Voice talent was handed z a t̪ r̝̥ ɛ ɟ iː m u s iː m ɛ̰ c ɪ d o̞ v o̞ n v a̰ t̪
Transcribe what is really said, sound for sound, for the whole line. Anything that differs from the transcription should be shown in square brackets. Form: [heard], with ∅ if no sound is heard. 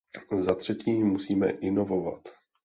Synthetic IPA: z a t̪ r̝̥ ɛ [c] iː m u s iː m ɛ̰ [ʔ] ɪ [n] o̞ v o̞ [∅] v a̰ t̪